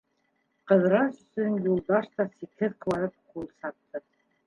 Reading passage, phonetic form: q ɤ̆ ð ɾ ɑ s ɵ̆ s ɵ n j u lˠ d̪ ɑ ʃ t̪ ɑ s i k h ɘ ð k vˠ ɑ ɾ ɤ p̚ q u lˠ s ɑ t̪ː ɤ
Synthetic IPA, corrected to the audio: q ɤ̆ ð ɾ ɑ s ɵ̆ s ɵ n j u lˠ d̪ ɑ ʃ t̪ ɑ s i k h ɘ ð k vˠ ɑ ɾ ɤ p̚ q u lˠ s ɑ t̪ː ɤ